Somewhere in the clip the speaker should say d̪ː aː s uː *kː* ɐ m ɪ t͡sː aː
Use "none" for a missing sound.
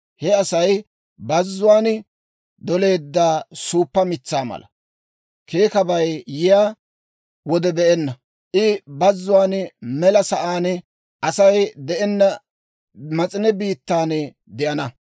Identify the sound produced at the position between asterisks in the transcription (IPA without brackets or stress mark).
pː